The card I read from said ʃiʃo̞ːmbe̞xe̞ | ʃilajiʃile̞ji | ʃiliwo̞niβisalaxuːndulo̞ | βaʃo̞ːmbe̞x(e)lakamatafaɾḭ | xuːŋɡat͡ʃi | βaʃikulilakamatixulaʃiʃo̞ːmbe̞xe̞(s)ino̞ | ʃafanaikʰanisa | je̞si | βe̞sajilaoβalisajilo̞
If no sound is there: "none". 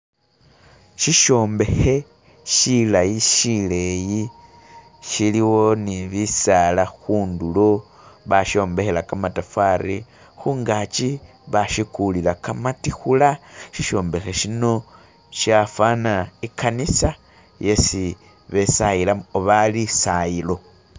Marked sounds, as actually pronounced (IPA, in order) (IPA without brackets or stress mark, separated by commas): e, ʃ